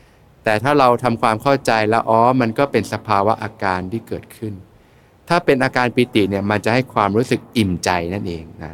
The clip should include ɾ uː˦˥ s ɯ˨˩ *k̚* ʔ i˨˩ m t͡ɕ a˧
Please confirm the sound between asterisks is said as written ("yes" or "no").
yes